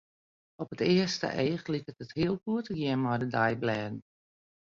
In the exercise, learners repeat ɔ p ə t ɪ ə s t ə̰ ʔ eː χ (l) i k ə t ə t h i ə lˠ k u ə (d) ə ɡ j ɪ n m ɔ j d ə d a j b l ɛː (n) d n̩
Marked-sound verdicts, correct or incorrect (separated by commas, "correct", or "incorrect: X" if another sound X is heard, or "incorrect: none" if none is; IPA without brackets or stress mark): correct, incorrect: t, incorrect: none